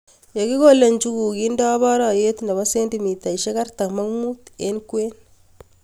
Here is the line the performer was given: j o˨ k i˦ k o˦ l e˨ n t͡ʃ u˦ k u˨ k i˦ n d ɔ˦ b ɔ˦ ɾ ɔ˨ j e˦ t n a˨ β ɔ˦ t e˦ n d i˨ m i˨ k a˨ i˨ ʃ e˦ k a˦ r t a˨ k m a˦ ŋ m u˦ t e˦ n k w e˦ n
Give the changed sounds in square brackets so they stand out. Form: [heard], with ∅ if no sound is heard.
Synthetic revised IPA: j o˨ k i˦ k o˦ l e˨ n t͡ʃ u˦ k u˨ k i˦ n d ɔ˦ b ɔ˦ ɾ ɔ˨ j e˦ t n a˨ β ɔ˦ [s] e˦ n d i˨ m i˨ [t] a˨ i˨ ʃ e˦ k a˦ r t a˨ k m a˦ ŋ m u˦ t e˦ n k w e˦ n